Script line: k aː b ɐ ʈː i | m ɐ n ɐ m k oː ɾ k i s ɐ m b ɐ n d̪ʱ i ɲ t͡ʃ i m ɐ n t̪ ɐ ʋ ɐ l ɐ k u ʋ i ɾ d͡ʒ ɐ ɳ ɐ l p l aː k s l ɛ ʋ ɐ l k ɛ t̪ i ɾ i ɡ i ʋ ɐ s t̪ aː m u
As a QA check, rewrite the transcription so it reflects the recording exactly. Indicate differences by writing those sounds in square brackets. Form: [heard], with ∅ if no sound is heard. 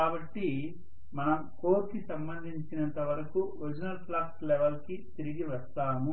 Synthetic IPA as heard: k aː b ɐ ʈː i | m ɐ n ɐ m k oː ɾ k i s ɐ m b ɐ n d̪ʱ i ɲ t͡ʃ i [n] ɐ n t̪ ɐ ʋ ɐ [ɾ] ɐ k u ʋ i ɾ d͡ʒ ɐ [n] ɐ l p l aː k s l ɛ ʋ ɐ l k [i] t̪ i ɾ i ɡ i ʋ ɐ s t̪ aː m u